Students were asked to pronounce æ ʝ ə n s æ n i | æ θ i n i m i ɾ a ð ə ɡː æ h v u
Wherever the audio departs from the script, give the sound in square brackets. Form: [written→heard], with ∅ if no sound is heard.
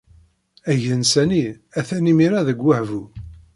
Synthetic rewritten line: æ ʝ ə n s æ n i | æ θ [i→æ] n i m i ɾ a ð ə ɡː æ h v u